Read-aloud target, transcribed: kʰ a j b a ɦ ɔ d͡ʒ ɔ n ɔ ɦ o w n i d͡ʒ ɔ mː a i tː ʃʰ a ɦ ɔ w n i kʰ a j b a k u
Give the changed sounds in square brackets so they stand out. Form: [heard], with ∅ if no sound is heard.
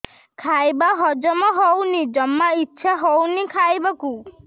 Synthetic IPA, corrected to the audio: kʰ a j b a ɦ ɔ d͡ʒ ɔ [m] ɔ ɦ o w n i d͡ʒ ɔ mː a i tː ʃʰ a ɦ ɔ w n i kʰ a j b a k u